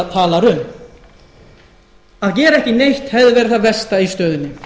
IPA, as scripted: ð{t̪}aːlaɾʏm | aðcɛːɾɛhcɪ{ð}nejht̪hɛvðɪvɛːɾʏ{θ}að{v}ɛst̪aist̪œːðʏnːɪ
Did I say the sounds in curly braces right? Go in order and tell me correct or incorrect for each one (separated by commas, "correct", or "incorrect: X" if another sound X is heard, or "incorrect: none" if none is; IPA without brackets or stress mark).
incorrect: t̪ʰ, incorrect: none, correct, correct